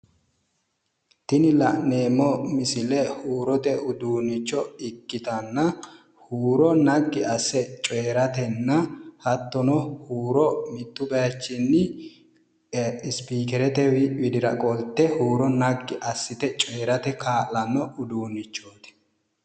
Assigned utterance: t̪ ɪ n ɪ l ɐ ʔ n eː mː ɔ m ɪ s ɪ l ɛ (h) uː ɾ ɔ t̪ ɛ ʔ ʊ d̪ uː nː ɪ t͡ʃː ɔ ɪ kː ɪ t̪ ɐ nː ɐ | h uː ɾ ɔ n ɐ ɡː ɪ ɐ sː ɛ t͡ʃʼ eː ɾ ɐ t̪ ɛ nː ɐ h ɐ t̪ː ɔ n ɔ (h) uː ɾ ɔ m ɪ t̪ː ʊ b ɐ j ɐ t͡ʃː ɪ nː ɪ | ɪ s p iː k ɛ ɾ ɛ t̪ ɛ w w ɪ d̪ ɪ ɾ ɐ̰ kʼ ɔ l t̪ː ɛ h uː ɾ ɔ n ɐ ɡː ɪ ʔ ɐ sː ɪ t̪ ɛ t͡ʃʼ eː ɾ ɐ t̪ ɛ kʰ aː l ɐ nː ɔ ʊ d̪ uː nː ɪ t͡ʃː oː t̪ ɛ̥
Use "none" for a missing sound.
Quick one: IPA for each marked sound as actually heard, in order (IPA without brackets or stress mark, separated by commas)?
h, h